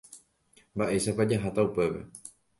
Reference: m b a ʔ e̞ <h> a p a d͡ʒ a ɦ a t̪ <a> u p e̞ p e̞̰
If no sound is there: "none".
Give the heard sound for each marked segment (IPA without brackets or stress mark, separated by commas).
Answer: ʃ, a